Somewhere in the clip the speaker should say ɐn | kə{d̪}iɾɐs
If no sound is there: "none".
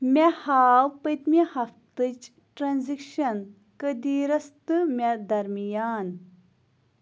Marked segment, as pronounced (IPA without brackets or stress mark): d̪